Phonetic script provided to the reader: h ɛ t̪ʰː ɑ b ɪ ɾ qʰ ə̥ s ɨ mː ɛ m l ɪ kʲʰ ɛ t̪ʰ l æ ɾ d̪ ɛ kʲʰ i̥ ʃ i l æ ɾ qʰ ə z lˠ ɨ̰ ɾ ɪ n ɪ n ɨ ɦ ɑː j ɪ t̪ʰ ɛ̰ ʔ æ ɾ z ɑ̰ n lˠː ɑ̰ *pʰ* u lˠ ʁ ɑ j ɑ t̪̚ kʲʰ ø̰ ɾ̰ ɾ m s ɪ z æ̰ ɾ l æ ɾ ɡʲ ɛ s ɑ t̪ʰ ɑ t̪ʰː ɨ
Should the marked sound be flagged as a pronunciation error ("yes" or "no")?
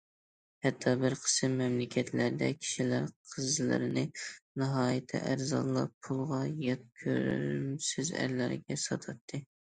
no